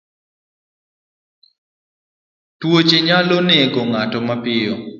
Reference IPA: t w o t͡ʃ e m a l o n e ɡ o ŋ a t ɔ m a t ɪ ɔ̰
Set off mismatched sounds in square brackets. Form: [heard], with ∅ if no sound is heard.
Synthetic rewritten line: t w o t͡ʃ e [ɲ] a l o n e ɡ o ŋ a t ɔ m a [p] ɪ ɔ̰

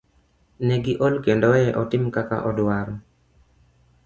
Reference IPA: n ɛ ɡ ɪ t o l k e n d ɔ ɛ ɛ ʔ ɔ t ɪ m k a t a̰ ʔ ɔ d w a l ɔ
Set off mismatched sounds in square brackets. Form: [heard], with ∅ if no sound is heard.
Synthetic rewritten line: n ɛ ɡ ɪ [ʔ] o l k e n d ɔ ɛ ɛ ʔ ɔ t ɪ m k a [k] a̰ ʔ ɔ d w a [ɾ] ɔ

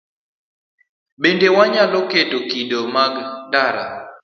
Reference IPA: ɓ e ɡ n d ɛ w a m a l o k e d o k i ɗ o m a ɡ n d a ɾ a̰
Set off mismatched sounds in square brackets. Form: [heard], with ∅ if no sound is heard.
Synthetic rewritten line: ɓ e [∅] n d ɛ w a [ɲ] a l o k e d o k i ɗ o m a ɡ n d a ɾ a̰

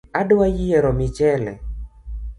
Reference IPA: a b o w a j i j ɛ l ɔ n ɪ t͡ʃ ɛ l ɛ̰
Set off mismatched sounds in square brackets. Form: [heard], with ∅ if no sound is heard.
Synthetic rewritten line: a [d] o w a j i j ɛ [ɾ] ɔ [m] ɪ t͡ʃ ɛ l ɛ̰

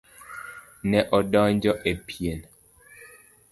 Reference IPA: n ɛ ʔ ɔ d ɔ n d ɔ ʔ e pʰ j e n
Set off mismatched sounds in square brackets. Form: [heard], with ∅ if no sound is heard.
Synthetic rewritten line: n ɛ ʔ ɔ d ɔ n [d͡ʒ] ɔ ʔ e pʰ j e n

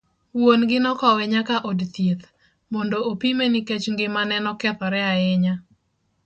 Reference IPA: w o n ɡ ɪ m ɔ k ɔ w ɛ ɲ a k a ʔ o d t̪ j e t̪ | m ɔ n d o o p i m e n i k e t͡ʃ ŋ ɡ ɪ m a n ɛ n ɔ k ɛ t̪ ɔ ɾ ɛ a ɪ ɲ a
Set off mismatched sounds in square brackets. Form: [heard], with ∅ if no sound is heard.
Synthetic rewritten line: w o n ɡ ɪ [n] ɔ k ɔ w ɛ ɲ a k a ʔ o d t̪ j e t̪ | m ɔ n d o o p i m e n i k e t͡ʃ ŋ ɡ ɪ m a n ɛ n ɔ k ɛ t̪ ɔ ɾ ɛ a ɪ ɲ a

